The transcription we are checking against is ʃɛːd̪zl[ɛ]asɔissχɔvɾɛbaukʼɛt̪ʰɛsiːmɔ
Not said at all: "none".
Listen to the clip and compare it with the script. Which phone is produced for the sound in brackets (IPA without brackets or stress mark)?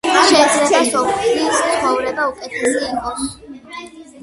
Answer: ɛ